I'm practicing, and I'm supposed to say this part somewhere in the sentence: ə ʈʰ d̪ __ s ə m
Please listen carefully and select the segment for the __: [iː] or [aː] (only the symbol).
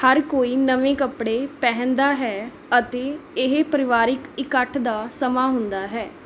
aː